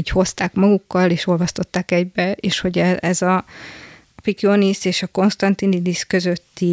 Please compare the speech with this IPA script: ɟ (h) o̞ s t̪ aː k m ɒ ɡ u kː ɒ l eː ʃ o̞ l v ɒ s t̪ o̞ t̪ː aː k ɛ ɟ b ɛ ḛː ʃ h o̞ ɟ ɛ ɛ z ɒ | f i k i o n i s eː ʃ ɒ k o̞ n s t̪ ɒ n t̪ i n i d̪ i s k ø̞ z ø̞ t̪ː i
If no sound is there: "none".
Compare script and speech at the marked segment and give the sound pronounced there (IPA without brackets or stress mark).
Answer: h